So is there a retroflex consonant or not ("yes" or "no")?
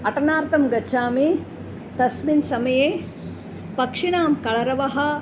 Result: yes